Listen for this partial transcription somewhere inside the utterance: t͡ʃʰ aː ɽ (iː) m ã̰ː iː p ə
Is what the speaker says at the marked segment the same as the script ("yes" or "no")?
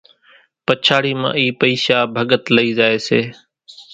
yes